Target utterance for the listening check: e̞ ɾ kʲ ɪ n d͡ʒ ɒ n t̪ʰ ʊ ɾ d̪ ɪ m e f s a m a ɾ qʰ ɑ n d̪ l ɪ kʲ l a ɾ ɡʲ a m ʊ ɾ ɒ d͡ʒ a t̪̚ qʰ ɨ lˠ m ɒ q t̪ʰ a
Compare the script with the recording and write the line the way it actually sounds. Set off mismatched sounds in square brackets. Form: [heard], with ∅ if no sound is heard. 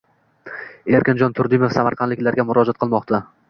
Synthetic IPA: e̞ ɾ kʲ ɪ n d͡ʒ ɒ n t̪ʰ ʊ ɾ d̪ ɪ m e f s a m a ɾ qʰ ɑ n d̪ l ɪ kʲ l a ɾ ɡʲ a m ʊ ɾ ɒ d͡ʒ a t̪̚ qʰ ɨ lˠ m ɒ q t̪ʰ a